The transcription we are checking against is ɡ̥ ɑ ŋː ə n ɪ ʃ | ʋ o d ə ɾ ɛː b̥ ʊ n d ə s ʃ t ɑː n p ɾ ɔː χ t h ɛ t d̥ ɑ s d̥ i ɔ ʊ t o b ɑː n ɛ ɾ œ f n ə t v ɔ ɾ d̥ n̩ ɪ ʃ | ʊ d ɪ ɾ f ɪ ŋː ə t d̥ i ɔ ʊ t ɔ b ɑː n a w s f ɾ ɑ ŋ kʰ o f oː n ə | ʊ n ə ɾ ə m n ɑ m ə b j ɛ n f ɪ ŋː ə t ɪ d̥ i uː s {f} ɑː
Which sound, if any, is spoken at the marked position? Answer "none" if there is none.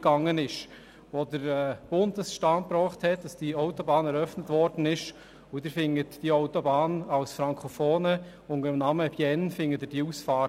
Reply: f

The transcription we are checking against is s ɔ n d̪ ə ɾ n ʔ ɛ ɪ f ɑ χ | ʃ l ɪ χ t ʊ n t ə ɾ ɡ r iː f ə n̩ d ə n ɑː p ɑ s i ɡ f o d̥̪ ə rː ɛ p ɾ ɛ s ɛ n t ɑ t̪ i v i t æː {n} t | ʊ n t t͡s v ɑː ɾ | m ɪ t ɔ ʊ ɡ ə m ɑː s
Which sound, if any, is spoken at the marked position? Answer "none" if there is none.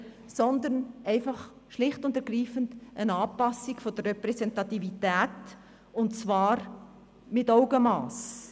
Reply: none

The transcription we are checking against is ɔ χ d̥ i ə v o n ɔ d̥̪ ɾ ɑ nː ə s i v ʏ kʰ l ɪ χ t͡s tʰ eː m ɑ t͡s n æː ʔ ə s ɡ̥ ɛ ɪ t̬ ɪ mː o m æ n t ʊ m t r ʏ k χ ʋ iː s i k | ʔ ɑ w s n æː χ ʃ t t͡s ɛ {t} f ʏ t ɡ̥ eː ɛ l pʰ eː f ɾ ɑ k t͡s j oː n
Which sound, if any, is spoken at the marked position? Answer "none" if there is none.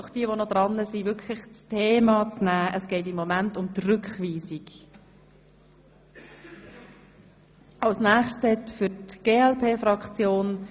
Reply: t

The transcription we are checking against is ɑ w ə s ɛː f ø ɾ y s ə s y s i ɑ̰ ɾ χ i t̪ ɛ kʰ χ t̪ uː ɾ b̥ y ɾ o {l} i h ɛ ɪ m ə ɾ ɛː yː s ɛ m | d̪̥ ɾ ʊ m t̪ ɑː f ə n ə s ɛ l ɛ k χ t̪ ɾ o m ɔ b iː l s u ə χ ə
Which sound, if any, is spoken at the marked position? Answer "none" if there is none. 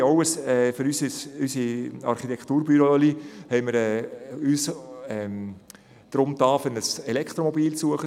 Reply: l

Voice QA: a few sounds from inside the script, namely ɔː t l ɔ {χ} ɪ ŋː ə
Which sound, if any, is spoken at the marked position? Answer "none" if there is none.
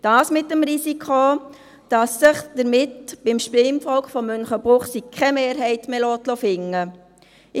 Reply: f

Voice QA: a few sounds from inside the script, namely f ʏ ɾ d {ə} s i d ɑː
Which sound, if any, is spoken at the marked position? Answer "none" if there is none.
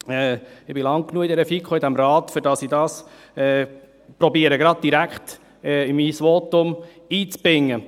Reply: ɑ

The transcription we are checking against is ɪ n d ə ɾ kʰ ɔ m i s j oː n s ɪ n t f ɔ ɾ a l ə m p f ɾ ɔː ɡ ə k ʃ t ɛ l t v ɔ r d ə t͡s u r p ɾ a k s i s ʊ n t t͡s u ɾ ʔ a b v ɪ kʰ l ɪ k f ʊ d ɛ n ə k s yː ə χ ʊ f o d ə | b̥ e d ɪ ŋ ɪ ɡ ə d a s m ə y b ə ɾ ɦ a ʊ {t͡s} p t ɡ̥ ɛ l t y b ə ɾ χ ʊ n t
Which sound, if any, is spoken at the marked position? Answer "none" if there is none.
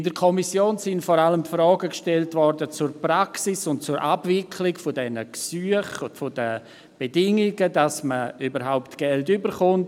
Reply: none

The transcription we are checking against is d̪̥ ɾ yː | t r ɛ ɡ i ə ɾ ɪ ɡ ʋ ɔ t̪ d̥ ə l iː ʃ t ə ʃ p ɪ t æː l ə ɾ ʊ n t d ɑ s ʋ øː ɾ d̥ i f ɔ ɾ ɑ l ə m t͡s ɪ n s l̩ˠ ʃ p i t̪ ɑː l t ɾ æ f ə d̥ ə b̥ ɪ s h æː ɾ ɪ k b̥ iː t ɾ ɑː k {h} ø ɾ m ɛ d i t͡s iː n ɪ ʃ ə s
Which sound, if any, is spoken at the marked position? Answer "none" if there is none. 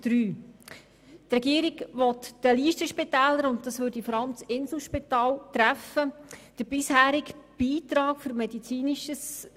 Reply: f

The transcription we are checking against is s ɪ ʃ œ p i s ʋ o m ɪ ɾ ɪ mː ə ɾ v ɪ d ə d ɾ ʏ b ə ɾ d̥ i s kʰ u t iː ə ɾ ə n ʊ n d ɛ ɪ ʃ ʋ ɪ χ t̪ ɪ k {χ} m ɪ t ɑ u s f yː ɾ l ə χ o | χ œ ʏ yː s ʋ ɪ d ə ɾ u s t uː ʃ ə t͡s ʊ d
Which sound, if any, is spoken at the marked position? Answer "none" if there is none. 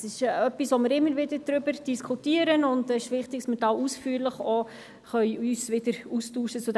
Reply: s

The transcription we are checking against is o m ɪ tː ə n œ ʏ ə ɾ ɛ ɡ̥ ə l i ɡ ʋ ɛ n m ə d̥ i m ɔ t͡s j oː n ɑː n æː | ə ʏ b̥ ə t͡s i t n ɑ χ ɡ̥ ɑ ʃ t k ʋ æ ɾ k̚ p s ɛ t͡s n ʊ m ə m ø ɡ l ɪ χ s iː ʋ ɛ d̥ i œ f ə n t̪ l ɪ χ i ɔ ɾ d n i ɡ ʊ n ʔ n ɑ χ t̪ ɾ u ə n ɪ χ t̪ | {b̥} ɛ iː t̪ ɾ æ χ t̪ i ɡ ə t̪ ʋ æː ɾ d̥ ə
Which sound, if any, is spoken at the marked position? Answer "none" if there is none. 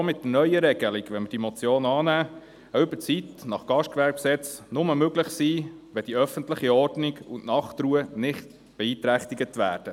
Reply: b̥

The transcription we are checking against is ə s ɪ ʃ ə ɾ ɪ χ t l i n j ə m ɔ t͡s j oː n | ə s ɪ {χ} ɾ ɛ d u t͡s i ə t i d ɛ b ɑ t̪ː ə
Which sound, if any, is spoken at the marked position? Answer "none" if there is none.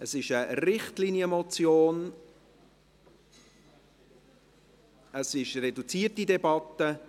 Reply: ʃ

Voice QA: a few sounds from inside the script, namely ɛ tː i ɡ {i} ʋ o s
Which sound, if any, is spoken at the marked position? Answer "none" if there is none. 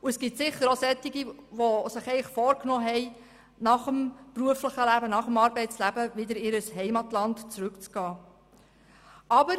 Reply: i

